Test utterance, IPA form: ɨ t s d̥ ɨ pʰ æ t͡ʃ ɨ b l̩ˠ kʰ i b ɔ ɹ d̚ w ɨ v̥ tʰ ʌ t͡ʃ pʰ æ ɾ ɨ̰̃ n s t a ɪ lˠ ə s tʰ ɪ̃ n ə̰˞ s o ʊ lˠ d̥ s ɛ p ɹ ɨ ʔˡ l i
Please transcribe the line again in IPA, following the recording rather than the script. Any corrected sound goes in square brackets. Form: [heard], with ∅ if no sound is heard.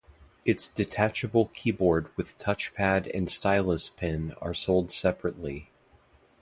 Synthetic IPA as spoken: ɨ t s d̥ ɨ [tʰ] æ t͡ʃ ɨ b l̩ˠ kʰ i b ɔ ɹ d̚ w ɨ [ð̥] tʰ ʌ t͡ʃ pʰ æ ɾ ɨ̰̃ n s t a ɪ lˠ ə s [pʰ] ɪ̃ n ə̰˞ s o ʊ lˠ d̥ s ɛ p ɹ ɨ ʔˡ l i